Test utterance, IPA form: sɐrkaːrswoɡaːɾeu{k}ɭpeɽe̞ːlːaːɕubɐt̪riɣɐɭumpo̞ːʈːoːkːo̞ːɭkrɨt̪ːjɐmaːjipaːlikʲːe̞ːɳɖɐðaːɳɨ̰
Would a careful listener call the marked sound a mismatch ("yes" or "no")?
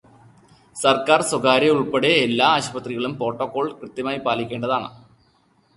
yes